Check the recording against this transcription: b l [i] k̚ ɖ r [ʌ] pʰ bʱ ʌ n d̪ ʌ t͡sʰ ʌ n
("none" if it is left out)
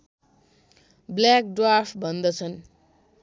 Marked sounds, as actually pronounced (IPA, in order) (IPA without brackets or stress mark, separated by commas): a, a